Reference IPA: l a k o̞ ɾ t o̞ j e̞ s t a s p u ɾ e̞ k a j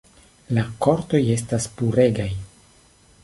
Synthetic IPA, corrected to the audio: l a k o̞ ɾ t o̞ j e̞ s t a s p u ɾ e̞ ɡ a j